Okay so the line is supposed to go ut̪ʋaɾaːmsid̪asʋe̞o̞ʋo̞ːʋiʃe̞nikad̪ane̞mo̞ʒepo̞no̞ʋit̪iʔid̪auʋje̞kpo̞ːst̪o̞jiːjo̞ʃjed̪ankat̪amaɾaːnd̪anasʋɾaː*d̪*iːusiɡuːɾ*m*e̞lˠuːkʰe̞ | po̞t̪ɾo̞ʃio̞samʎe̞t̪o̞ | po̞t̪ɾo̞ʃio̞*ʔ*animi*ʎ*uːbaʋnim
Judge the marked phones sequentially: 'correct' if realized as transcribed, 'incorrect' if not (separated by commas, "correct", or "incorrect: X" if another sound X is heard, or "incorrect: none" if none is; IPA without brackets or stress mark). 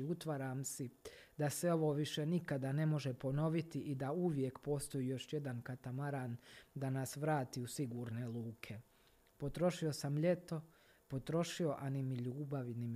incorrect: t̪, incorrect: n, correct, correct